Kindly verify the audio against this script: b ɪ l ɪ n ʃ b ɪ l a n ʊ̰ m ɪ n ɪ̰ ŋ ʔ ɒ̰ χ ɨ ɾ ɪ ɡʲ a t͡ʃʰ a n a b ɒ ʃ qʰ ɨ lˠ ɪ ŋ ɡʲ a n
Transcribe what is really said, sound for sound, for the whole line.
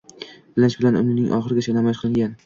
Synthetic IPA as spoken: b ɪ l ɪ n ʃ b ɪ l a n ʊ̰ n ɪ n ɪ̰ ŋ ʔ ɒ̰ χ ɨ ɾ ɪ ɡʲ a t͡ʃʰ a n a m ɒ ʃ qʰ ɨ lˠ ɪ ŋ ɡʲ a n